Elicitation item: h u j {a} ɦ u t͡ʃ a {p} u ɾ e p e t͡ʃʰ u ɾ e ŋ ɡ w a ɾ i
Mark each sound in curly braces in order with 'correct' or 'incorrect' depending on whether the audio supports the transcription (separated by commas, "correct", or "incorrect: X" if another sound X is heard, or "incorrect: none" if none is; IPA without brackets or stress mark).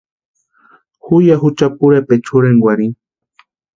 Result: correct, correct